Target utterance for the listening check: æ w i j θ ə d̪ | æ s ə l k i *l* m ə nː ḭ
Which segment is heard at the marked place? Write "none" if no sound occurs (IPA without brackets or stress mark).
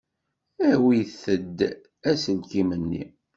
none